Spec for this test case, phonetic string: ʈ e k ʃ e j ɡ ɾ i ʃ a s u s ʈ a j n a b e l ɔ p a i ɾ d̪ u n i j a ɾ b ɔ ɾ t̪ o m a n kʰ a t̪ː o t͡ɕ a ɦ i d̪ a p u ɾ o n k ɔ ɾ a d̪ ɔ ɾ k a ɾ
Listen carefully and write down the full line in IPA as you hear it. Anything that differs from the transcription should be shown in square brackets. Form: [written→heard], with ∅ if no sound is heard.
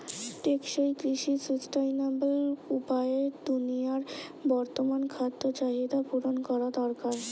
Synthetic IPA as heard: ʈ e k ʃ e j [ɡ→k] ɾ i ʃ [a→i] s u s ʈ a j n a b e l [ɔ→u] p a [i→e] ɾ d̪ u n i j a ɾ b ɔ ɾ t̪ o m a n kʰ a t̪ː o t͡ɕ a ɦ i d̪ a p u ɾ o n k ɔ ɾ a d̪ ɔ ɾ k a ɾ